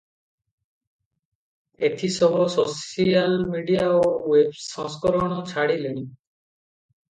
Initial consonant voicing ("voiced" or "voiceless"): voiceless